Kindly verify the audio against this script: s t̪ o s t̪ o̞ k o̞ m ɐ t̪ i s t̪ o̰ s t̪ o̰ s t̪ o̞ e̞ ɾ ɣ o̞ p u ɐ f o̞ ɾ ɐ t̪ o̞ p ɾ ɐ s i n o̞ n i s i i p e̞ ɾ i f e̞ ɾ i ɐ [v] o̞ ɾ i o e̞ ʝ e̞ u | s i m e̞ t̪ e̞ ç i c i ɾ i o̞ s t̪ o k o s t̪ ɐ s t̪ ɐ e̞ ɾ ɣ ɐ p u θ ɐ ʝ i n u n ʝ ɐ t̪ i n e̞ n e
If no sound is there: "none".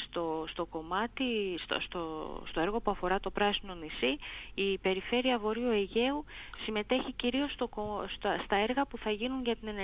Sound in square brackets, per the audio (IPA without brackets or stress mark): v